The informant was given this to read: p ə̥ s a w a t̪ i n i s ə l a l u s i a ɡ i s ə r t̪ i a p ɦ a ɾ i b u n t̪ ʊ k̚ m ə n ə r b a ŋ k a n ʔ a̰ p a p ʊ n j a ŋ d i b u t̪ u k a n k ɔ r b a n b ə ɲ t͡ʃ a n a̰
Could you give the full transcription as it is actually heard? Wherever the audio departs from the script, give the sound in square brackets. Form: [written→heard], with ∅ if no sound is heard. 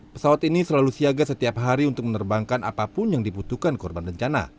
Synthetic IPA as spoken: p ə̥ s a w a t̪ i n i s ə l a l u s i a ɡ [i→a] s ə [r→∅] t̪ i a p ɦ a ɾ i [b→∅] u n t̪ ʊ k̚ m ə n ə r b a ŋ k a n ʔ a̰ p a p ʊ n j a ŋ d i b u t̪ u k a n k ɔ r b a n b ə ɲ t͡ʃ a n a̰